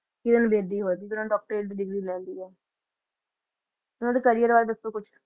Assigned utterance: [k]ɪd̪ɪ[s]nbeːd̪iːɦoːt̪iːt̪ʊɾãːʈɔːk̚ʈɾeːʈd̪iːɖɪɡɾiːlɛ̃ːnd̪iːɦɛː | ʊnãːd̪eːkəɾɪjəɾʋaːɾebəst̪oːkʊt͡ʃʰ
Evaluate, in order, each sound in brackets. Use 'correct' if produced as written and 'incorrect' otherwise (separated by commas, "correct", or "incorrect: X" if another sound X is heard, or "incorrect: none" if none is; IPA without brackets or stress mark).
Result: correct, incorrect: none